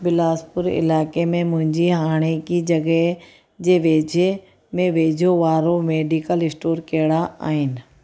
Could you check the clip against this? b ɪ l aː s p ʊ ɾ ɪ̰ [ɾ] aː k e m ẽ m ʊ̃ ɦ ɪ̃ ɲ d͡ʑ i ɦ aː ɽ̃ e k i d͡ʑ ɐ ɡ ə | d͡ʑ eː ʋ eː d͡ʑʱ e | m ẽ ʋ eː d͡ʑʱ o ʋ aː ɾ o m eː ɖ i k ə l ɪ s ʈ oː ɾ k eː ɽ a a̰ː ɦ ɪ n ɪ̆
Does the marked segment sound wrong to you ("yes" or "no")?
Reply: yes